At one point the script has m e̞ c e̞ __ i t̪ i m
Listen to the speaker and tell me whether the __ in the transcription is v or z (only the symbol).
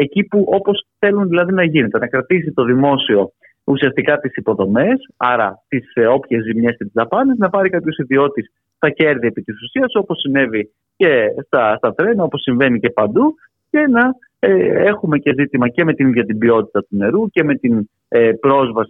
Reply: z